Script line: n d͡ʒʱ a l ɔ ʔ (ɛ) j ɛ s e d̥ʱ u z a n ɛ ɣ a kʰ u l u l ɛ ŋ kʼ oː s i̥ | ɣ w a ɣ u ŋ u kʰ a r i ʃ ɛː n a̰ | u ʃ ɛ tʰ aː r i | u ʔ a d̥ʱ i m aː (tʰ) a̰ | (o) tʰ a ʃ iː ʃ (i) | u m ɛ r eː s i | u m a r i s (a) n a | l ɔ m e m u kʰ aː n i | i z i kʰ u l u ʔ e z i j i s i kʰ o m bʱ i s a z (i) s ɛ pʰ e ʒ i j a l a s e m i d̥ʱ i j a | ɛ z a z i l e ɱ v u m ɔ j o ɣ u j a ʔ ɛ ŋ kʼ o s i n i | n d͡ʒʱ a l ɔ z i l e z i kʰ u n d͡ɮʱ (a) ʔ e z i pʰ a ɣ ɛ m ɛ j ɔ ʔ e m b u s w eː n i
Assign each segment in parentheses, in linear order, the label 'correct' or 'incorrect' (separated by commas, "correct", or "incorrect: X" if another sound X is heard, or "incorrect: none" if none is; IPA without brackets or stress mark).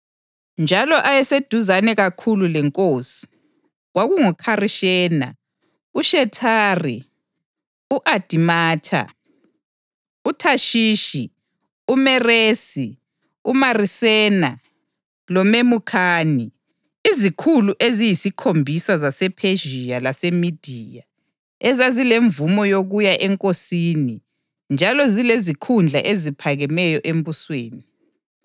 incorrect: a, correct, incorrect: u, correct, incorrect: ɛ, incorrect: a, correct